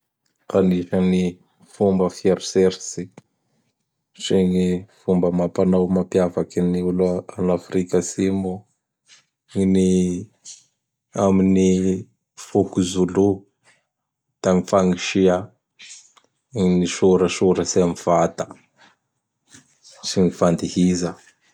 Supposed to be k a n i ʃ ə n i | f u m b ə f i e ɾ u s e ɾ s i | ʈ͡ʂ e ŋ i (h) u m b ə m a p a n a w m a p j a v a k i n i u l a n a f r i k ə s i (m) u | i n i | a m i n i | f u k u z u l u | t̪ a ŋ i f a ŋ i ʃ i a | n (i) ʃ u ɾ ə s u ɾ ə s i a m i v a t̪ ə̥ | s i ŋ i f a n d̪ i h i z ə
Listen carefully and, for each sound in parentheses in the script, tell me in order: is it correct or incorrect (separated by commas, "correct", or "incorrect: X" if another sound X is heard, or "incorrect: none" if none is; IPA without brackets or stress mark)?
incorrect: f, correct, correct